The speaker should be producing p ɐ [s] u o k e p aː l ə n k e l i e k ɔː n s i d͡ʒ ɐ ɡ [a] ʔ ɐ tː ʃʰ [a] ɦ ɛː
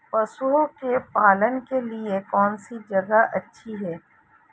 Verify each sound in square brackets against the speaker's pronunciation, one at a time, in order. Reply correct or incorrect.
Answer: correct, correct, incorrect: i

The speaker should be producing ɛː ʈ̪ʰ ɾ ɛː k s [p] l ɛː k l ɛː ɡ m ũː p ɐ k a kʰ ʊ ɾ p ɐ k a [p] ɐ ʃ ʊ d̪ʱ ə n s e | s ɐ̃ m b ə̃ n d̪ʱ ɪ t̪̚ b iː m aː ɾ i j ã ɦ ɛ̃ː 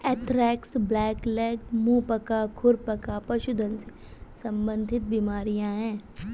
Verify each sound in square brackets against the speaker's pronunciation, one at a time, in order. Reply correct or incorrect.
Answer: incorrect: b, correct

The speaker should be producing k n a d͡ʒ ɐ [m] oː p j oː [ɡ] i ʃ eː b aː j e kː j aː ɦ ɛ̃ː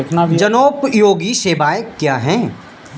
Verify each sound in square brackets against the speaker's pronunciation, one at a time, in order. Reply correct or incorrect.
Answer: incorrect: n, correct

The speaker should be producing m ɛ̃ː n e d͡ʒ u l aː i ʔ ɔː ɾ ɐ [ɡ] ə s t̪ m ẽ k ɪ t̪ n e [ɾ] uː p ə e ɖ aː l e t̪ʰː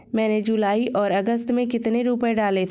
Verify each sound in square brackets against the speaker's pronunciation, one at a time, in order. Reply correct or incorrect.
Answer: correct, correct

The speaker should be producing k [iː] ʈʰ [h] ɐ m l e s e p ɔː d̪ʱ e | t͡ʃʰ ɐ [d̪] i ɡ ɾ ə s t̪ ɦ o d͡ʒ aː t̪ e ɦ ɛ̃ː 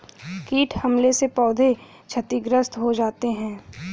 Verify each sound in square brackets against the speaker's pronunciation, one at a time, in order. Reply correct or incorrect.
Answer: correct, correct, incorrect: t̪

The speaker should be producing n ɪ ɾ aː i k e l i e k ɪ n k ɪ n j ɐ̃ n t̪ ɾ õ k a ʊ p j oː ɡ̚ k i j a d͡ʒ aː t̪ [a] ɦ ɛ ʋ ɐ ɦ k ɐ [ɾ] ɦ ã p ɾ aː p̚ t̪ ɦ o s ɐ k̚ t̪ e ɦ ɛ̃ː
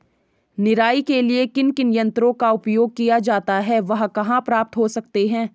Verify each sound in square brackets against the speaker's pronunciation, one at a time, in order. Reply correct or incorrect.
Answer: correct, incorrect: none

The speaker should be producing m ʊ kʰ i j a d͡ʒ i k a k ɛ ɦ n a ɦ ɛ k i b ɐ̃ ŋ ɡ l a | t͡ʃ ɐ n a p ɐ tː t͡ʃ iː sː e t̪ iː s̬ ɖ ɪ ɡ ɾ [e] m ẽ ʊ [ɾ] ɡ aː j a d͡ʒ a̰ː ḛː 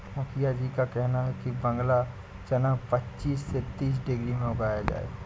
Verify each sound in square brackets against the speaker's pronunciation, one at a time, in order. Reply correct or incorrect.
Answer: incorrect: i, incorrect: none

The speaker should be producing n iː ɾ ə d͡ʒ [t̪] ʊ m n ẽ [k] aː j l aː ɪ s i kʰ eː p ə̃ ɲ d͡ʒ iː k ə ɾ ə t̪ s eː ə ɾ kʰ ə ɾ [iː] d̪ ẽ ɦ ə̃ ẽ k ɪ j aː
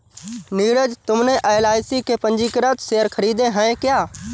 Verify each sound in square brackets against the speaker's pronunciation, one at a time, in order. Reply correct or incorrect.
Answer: correct, incorrect: ʔ, correct

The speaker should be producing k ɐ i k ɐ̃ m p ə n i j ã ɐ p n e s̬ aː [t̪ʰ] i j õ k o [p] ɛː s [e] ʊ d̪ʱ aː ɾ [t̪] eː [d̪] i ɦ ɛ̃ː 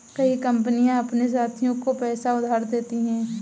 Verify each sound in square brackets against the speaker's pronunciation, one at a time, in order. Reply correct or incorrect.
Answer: correct, correct, incorrect: a, incorrect: d̪, incorrect: t̪

